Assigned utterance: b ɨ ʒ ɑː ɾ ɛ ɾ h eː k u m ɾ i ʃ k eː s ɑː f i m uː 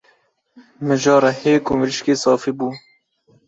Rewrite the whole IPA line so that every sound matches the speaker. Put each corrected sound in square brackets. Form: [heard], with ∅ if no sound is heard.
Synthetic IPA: [m] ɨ ʒ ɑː ɾ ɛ [∅] h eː k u m ɾ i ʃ k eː s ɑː f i [b] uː

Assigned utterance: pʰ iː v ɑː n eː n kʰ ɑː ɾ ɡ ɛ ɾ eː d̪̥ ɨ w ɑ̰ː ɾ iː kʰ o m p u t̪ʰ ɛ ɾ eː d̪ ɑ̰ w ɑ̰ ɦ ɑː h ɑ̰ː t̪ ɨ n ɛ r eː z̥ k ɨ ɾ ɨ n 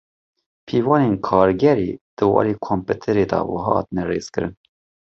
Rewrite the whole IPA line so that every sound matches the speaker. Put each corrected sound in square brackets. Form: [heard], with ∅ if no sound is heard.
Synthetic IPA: pʰ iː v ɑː n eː n kʰ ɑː ɾ ɡ ɛ ɾ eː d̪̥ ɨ w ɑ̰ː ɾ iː kʰ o m p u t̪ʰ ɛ ɾ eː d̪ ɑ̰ w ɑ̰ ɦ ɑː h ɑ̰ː t̪ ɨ n ɛ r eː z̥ k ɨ ɾ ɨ n

